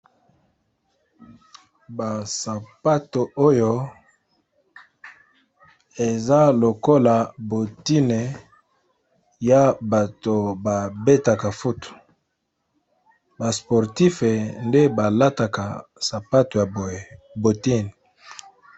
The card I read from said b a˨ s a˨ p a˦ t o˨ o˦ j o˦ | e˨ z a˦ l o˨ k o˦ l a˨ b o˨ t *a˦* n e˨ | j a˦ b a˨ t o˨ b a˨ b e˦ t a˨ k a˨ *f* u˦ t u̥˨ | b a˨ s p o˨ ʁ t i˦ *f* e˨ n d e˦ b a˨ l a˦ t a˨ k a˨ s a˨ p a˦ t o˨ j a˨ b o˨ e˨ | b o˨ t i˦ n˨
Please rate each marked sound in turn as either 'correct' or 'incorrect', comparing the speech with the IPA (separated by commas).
incorrect, correct, correct